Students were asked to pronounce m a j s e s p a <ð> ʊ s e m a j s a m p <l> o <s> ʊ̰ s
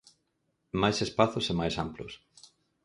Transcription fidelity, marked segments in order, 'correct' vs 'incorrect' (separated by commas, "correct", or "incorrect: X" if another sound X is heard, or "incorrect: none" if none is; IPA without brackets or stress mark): incorrect: θ, correct, incorrect: none